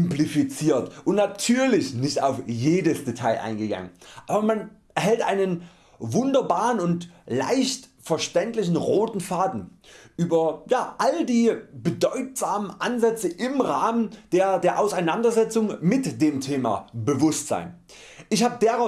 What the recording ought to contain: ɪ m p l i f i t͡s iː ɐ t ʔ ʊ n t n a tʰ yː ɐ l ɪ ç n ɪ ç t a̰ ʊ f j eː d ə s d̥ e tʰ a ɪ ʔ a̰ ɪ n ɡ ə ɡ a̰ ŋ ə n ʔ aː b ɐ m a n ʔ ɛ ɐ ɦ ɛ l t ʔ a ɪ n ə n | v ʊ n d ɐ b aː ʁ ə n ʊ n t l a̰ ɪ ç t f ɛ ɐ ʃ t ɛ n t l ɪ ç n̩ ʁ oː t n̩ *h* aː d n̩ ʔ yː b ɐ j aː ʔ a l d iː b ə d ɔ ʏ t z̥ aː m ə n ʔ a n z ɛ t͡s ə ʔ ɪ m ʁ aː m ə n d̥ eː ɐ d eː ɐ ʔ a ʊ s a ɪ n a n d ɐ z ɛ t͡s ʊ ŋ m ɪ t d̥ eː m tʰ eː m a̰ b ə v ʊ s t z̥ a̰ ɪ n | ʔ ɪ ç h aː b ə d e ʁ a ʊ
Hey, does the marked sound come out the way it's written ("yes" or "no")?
no